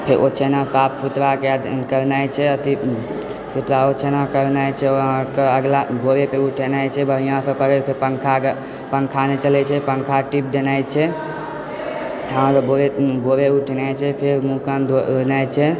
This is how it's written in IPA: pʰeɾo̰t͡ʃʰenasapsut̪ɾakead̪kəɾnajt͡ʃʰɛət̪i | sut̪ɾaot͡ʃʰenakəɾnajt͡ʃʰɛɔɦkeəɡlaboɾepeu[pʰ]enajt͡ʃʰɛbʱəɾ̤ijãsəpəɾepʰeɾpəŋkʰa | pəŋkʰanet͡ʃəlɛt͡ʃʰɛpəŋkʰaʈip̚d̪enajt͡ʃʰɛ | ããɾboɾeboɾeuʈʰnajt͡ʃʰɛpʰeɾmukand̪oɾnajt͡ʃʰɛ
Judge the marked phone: incorrect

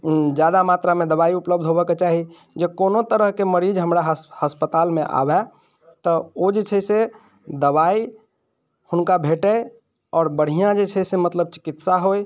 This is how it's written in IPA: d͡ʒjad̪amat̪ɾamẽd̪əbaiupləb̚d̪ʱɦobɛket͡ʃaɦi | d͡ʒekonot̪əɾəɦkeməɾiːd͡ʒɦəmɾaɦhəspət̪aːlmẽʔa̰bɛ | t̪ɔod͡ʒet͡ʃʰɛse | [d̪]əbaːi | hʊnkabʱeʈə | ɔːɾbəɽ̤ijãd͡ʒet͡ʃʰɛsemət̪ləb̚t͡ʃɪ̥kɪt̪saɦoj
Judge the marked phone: correct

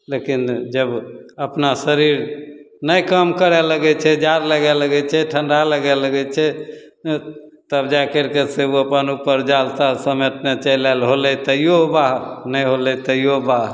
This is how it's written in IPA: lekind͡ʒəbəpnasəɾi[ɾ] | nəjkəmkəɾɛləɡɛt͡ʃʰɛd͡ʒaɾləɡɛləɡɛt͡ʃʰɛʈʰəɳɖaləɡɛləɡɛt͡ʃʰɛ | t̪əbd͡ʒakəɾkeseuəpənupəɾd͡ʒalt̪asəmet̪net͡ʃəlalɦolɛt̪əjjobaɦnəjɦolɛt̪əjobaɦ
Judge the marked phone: correct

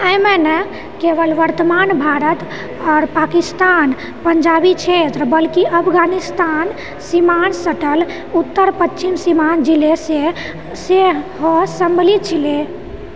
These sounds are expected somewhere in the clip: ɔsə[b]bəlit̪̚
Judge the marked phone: incorrect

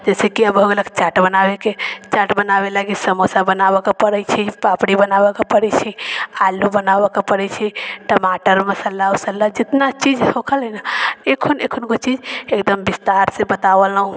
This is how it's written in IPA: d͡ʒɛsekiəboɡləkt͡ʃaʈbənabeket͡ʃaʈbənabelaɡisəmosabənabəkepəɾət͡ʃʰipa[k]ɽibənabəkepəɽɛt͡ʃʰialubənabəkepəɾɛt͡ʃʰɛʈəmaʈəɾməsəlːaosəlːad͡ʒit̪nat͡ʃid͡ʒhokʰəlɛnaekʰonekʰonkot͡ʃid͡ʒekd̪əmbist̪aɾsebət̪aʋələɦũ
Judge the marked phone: incorrect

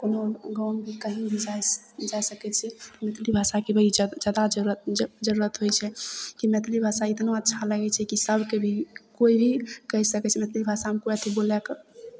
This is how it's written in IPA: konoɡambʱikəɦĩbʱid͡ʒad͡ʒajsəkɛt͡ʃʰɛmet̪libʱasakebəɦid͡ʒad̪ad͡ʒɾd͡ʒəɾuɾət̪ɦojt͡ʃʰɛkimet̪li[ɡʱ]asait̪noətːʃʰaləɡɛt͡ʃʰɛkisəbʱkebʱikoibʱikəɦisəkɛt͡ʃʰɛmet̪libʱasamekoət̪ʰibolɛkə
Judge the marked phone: incorrect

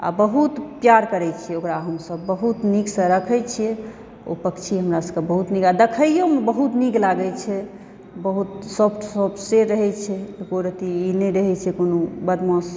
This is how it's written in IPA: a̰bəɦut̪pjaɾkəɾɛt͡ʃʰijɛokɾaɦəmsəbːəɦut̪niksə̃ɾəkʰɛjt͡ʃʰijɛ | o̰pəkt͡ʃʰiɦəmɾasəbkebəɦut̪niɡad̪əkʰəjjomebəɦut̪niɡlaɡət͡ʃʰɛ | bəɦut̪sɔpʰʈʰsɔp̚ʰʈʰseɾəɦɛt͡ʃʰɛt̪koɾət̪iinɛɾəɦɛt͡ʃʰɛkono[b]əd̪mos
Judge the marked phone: correct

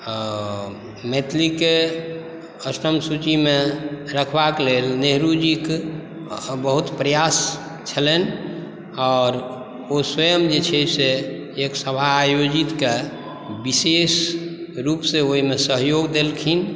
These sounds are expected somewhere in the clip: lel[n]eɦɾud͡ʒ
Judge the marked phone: correct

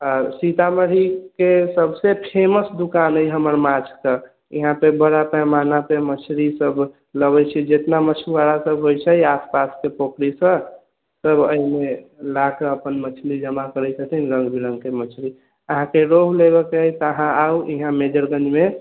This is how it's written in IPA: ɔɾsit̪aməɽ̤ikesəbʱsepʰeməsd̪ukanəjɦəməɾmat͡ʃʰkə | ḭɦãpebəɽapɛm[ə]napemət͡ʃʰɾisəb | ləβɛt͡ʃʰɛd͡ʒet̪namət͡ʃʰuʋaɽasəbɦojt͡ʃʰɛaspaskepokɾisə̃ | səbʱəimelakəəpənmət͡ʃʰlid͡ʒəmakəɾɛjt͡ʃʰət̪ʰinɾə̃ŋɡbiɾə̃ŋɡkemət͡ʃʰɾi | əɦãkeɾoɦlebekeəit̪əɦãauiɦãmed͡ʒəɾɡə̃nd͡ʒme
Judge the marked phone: incorrect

